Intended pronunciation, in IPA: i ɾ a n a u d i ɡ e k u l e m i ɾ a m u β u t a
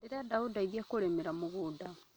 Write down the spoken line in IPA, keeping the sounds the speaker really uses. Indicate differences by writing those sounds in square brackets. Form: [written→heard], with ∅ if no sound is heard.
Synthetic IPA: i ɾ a [n→d] a u d [i→a] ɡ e k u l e m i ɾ a m u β u [t→d] a